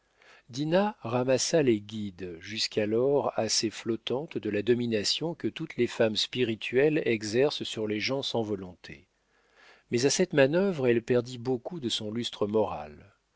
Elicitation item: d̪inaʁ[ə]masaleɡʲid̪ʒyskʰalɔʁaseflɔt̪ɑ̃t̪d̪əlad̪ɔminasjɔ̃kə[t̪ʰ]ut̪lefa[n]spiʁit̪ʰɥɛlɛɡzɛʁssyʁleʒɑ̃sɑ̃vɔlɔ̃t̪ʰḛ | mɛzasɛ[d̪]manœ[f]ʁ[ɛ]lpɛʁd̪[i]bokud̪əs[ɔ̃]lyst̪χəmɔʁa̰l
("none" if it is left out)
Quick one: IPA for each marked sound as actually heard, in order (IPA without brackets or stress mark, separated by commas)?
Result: a, t̪, m, t̪, v, ɛ, i, ɔ̃